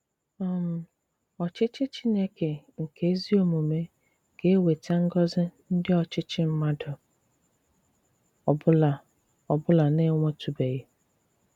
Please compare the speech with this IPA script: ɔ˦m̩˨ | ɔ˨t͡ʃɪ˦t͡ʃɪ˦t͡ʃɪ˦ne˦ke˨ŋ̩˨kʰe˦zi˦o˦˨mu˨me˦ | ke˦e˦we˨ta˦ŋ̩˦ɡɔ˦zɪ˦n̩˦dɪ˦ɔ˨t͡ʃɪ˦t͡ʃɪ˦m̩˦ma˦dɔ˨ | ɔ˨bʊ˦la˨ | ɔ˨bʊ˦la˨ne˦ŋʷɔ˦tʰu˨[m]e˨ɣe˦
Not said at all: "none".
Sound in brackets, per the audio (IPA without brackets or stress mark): b